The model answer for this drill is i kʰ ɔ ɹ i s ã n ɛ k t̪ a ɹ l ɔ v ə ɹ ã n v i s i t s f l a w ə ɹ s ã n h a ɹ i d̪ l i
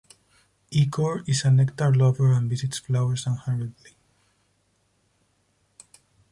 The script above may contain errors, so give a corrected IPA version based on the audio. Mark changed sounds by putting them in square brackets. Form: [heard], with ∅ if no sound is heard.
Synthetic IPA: i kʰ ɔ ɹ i s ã n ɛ k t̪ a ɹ l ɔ v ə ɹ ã n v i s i t s f l a w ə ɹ s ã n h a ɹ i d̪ l i